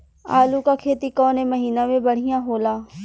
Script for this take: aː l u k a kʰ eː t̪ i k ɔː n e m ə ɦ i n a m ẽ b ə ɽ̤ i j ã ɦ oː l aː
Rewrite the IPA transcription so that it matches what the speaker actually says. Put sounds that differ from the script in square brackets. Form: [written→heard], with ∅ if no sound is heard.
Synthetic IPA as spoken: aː l u k a kʰ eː t̪ i k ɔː n e m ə ɦ [i→iː] n a m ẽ b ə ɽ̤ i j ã ɦ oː l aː